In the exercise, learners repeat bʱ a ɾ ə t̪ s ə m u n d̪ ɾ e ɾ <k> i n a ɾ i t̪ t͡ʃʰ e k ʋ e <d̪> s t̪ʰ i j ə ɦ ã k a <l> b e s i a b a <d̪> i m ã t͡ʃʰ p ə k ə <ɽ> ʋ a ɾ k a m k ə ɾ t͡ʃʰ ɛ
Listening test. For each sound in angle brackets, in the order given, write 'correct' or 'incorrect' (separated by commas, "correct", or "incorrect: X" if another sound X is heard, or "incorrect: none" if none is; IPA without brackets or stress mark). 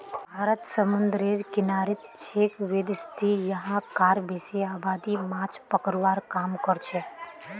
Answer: correct, correct, incorrect: ɾ, correct, incorrect: ɾ